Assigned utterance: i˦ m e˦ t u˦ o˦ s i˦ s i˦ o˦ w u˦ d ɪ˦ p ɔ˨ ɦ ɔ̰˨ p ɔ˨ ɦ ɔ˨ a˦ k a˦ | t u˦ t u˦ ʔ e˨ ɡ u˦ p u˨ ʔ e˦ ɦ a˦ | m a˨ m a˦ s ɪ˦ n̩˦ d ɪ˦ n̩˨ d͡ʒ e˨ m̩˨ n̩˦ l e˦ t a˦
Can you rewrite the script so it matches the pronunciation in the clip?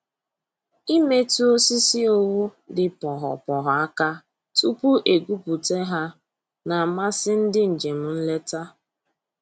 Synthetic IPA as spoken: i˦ m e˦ t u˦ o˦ s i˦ s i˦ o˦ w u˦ d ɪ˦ p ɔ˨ ɦ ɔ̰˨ p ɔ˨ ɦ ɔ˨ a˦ k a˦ | t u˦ p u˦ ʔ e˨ ɡ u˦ p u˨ t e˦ ɦ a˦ | n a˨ m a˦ s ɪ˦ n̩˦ d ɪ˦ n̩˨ d͡ʒ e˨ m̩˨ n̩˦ l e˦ t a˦